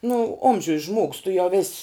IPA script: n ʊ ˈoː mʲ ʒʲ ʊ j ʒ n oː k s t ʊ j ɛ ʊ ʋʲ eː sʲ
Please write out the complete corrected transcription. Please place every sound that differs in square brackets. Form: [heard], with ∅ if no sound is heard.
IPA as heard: n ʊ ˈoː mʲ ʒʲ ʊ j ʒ [m] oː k s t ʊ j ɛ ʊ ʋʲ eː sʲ